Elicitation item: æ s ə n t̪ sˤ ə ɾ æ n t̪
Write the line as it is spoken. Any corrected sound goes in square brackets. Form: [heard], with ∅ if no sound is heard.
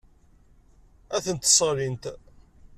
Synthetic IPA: æ [θ] ə n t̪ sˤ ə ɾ [i] n t̪